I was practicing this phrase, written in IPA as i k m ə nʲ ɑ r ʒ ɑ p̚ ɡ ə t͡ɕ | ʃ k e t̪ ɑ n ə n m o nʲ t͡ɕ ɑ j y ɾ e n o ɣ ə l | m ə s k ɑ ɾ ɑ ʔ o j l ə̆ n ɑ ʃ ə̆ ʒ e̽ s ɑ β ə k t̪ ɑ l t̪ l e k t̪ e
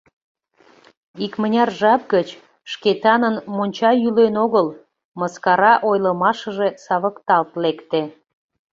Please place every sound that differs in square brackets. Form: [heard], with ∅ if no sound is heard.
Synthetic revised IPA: i k m ə nʲ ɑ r ʒ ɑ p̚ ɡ ə t͡ɕ | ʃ k e t̪ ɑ n ə n m o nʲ t͡ɕ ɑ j y [l] e n o ɣ ə l | m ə s k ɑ ɾ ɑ ʔ o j l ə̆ [m] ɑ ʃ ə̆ ʒ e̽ s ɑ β ə k t̪ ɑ l t̪ l e k t̪ e